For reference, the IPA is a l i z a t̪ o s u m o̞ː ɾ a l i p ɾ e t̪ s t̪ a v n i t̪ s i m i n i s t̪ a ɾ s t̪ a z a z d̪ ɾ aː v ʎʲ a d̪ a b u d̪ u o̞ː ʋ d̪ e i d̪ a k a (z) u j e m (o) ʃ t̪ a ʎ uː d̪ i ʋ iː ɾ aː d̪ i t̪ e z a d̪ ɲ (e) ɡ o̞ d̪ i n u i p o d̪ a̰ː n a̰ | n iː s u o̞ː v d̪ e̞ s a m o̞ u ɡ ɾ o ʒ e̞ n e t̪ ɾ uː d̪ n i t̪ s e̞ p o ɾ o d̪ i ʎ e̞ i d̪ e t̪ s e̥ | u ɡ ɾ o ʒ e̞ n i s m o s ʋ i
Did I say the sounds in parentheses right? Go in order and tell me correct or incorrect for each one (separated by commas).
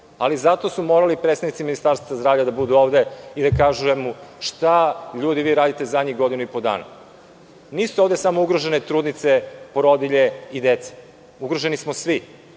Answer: incorrect, incorrect, incorrect